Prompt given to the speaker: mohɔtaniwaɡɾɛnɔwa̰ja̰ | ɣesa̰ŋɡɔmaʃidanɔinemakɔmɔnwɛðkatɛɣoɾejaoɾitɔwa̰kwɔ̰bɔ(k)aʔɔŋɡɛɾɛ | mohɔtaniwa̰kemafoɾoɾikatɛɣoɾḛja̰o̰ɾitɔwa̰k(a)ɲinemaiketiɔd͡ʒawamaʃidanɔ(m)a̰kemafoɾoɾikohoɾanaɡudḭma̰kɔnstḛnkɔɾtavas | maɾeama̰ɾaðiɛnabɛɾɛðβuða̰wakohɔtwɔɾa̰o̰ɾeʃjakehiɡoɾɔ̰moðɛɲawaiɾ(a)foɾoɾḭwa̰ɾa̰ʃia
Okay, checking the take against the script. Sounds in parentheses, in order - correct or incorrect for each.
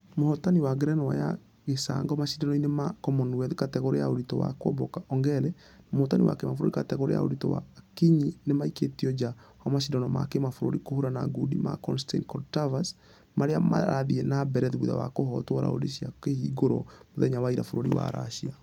correct, incorrect, correct, correct

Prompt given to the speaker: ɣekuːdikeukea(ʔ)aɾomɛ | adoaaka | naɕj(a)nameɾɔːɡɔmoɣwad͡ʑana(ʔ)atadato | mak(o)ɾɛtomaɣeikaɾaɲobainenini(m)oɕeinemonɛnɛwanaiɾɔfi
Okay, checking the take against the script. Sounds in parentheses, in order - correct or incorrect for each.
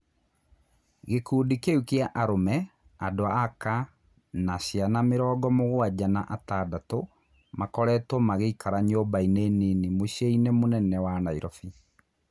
correct, correct, correct, incorrect, correct

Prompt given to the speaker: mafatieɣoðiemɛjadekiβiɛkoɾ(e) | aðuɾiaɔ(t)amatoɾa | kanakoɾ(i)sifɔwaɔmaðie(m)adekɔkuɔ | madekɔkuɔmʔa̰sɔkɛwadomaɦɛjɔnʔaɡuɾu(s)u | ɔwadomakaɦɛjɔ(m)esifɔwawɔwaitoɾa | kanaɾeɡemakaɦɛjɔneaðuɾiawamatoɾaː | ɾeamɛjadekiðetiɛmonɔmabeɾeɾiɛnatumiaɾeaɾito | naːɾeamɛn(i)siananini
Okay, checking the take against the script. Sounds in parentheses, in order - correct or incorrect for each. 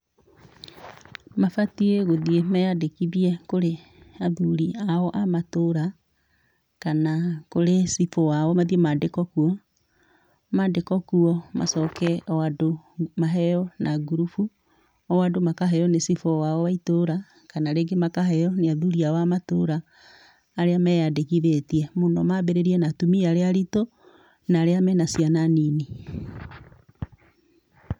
correct, incorrect, incorrect, correct, incorrect, incorrect, incorrect

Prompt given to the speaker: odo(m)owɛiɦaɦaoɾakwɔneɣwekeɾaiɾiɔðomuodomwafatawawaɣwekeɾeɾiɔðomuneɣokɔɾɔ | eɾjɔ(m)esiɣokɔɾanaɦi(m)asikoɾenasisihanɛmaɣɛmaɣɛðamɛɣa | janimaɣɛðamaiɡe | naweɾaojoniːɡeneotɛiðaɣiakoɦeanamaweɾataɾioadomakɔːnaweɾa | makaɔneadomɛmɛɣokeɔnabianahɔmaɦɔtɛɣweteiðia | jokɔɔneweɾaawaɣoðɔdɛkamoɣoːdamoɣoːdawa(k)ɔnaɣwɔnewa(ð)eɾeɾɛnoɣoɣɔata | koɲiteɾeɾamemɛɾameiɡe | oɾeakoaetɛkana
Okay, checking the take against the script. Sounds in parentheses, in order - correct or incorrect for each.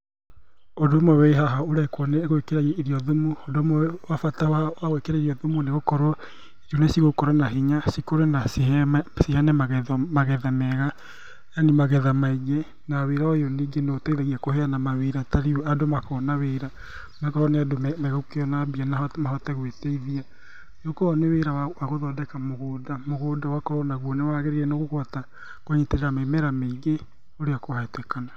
correct, incorrect, incorrect, correct, incorrect

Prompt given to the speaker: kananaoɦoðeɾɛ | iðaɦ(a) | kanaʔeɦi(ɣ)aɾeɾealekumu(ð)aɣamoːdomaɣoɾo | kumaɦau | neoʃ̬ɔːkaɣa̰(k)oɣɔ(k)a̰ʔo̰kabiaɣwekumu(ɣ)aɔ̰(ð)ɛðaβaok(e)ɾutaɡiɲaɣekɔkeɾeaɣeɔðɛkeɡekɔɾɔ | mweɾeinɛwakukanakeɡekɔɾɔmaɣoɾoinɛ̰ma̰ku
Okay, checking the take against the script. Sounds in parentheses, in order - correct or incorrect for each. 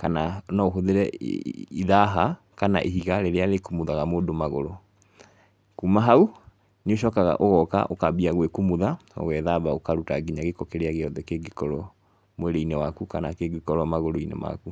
correct, correct, correct, incorrect, correct, incorrect, incorrect, incorrect

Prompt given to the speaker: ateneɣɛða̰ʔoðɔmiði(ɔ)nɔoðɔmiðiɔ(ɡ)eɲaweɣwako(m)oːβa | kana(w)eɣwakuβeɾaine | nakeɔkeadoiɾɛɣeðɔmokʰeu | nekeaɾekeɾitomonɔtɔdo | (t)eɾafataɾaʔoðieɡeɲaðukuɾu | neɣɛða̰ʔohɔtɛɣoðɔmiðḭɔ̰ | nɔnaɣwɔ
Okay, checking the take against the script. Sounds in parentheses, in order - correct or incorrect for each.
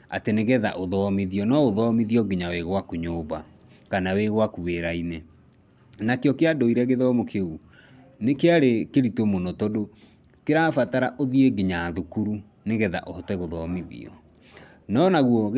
correct, correct, incorrect, correct, incorrect

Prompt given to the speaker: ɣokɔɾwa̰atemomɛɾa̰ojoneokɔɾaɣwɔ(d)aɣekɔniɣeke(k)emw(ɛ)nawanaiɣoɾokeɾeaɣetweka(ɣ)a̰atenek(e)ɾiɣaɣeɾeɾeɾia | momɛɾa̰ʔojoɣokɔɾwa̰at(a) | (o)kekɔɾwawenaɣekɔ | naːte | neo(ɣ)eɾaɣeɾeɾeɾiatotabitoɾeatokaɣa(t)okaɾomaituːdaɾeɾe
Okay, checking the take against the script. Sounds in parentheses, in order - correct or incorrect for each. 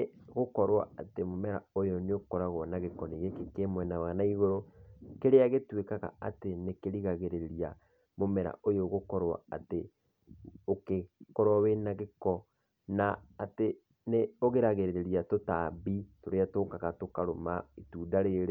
incorrect, correct, correct, correct, correct, incorrect, correct, correct, correct

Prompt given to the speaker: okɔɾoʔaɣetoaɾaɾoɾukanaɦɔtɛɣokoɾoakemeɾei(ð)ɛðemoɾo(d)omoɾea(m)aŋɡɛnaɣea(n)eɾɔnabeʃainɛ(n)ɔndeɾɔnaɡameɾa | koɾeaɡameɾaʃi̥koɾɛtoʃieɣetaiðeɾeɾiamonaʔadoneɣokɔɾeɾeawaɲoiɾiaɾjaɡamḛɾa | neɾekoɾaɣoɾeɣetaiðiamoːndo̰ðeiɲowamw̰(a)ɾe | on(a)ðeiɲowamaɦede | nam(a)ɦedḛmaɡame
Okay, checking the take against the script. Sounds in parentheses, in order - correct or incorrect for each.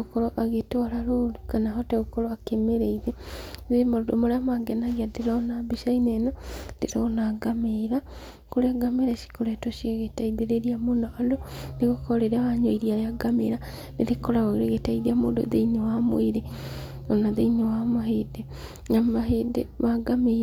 correct, correct, correct, incorrect, correct, incorrect, correct, correct

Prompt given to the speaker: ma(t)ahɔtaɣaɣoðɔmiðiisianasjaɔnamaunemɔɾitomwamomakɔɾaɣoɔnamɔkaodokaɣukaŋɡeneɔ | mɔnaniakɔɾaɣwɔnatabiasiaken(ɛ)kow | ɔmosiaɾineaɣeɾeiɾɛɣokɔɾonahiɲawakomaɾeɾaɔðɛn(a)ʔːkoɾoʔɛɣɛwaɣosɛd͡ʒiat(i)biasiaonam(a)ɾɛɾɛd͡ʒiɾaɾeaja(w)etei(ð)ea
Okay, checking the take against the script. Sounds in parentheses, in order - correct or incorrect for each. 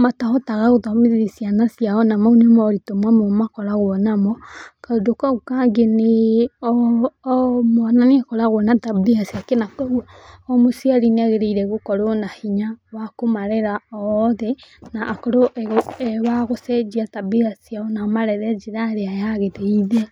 correct, incorrect, correct, incorrect, correct, incorrect, correct

